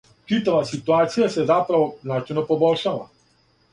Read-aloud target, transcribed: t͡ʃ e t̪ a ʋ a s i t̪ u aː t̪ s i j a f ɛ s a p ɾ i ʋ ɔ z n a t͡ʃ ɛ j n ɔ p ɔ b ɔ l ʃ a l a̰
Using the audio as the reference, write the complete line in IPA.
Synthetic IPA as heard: t͡ʃ i t̪ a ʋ a s i t̪ u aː t̪ s i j a s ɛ z a p ɾ a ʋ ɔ z n a t͡ʃ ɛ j n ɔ p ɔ b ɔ l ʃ a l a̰